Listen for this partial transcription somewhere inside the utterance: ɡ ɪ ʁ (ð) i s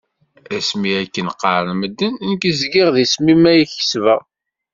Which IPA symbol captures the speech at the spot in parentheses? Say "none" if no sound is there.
ð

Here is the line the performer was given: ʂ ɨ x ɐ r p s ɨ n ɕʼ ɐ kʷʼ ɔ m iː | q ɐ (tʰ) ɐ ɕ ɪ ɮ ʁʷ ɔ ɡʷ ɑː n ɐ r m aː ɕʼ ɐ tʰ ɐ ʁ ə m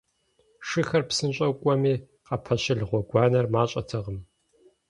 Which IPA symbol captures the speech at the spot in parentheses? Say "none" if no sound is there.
pʰ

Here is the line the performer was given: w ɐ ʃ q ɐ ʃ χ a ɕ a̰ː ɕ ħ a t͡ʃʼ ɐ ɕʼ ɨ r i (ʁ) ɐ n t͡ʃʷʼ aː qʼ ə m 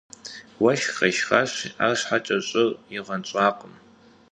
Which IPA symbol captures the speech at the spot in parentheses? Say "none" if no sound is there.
ʁ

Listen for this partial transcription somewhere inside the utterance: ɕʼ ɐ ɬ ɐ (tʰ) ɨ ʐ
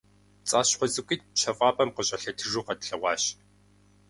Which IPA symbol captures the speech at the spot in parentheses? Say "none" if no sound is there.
tʰ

